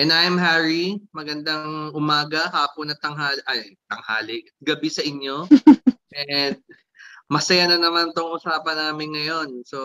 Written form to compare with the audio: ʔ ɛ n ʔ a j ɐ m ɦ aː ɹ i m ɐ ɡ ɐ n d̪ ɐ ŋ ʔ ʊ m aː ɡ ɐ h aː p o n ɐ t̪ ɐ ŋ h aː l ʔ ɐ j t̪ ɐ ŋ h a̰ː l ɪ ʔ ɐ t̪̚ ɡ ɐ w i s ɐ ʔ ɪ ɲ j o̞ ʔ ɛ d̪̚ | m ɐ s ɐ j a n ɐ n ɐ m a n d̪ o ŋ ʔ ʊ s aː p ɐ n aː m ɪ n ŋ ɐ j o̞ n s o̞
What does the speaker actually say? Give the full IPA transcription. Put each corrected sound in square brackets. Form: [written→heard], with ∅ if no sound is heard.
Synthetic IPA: ʔ ɛ n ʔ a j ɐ m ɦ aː ɹ i m ɐ ɡ ɐ n d̪ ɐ ŋ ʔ ʊ m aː ɡ ɐ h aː p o n ɐ t̪ ɐ ŋ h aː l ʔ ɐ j t̪ ɐ ŋ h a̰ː l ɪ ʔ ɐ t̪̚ ɡ ɐ [w→b] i s ɐ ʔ ɪ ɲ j o̞ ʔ ɛ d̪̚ | m ɐ s ɐ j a n ɐ n ɐ m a n [d̪→t̪] o ŋ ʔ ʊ s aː p ɐ n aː m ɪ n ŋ ɐ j o̞ n s o̞